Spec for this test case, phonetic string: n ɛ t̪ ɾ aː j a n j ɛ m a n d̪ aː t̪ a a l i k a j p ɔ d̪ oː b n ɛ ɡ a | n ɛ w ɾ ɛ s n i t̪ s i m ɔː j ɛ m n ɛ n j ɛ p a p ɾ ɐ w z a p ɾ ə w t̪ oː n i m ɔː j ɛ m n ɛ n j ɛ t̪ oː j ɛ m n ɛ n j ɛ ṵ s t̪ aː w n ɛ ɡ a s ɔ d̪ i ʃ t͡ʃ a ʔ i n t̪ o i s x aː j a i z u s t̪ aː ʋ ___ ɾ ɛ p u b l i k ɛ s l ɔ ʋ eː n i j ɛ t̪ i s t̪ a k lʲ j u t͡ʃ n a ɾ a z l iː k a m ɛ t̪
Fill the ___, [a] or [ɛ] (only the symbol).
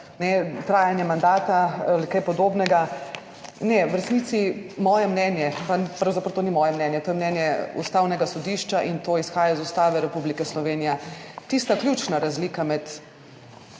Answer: ɛ